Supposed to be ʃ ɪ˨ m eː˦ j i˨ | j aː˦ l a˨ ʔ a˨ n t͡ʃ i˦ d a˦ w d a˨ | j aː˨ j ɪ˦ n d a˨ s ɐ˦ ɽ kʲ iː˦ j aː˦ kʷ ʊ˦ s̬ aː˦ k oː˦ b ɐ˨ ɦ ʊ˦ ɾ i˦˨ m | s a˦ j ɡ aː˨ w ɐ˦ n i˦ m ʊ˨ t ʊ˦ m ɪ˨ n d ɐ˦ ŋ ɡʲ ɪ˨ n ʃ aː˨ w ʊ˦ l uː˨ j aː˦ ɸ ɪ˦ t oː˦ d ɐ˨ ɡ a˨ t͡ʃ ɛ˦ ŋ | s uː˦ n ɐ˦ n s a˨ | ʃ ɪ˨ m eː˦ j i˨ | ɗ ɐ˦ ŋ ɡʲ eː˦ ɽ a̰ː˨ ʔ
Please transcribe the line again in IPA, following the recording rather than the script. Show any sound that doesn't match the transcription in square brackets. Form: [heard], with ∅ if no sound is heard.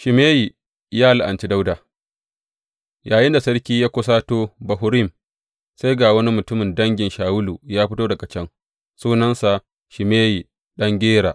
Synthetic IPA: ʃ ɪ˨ m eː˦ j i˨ | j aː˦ l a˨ ʔ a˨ n t͡ʃ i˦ d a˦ w d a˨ | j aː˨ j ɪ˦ n d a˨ s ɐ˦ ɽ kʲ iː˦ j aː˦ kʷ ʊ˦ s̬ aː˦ [t] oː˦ b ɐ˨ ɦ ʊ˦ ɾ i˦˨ m | s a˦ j ɡ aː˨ w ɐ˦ n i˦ m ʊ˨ t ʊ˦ m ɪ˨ n d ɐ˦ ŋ ɡʲ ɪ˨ n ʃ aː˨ w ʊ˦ l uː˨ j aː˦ ɸ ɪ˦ t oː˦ d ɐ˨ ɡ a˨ t͡ʃ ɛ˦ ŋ | s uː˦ n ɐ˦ n s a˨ | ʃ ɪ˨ m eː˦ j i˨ | ɗ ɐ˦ ŋ ɡʲ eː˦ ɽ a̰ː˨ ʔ